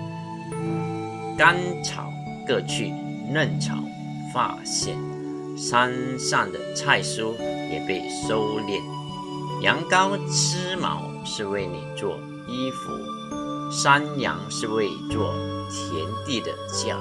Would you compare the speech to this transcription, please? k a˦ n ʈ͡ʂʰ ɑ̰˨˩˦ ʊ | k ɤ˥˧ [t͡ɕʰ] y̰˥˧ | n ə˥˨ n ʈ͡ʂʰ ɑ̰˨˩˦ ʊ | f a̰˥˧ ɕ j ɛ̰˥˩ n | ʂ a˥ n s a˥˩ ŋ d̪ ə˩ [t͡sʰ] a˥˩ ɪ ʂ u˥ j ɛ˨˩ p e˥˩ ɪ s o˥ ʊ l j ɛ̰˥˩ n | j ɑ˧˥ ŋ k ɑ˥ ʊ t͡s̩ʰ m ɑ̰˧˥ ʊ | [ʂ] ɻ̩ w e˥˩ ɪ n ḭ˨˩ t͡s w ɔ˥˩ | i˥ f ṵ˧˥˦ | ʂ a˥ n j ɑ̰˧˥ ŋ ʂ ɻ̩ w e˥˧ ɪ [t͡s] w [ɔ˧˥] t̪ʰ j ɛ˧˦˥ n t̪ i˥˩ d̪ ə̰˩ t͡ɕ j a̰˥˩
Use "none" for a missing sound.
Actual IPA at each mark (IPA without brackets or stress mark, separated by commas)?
t͡ɕʰ, t͡sʰ, ʂ, t͡s, ɔ˥˩